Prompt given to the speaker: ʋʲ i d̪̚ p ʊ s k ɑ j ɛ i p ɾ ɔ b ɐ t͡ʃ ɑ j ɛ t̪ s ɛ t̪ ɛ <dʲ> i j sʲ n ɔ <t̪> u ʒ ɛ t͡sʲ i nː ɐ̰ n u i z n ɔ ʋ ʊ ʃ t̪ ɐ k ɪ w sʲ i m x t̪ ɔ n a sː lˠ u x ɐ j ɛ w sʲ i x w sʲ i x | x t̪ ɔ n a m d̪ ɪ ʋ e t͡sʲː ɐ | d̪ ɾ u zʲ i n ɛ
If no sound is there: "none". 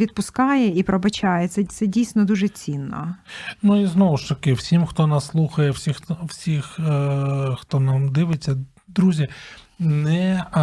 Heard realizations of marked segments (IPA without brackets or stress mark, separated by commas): dʲ, d̪